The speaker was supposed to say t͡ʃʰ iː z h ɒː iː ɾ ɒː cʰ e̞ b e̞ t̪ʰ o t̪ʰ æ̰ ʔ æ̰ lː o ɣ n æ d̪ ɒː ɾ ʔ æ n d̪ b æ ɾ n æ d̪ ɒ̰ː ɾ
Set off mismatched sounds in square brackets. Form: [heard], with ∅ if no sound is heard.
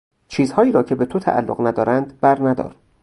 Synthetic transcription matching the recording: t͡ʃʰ iː z h ɒː iː ɾ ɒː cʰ e̞ b e̞ t̪ʰ o t̪ʰ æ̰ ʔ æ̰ lː o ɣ n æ d̪ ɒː ɾ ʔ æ n d̪ b æ ɾ n æ d̪ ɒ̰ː ɾ